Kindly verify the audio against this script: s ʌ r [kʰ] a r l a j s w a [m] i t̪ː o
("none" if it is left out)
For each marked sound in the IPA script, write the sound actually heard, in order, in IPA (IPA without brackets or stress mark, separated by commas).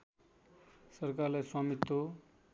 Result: k, m